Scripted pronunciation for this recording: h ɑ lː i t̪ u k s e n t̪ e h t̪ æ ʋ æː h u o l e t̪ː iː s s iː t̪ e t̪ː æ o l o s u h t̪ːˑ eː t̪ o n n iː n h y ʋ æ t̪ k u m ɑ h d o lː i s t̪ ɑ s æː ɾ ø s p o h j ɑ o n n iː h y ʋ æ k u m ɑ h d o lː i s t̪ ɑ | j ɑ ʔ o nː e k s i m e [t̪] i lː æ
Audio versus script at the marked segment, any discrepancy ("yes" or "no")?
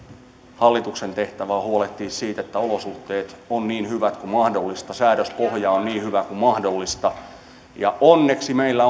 yes